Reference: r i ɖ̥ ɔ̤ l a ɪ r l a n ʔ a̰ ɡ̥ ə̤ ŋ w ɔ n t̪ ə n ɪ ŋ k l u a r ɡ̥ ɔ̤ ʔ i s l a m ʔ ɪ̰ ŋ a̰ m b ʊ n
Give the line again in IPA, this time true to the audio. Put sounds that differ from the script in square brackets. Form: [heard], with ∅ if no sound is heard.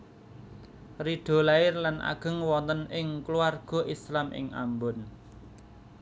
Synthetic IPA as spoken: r i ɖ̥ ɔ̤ l a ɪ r l a n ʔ a̰ ɡ̥ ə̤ ŋ w ɔ n t̪ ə n ɪ ŋ k l u a r ɡ̥ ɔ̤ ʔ i s l a m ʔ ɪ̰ ŋ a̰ m b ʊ n